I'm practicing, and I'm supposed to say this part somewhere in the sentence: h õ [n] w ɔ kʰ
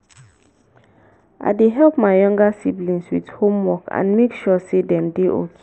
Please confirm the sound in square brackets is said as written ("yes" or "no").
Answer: no